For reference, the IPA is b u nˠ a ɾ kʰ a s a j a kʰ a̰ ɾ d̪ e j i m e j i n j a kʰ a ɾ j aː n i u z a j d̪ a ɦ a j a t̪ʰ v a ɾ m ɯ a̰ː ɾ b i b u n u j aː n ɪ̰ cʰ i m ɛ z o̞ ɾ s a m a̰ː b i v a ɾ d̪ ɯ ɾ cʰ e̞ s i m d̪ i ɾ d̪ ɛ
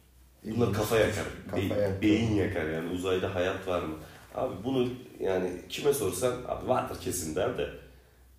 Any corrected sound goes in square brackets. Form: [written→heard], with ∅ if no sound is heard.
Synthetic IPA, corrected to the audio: b u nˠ a ɾ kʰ a [s→f] a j a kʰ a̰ ɾ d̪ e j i [m→b] e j i n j a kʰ a ɾ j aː n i u z a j d̪ a ɦ a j a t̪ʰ v a ɾ m ɯ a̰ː [ɾ→∅] b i b u n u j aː n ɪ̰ cʰ i m ɛ [z→s] o̞ ɾ s a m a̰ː b i v a ɾ d̪ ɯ ɾ cʰ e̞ s i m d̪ [i→æ] ɾ d̪ ɛ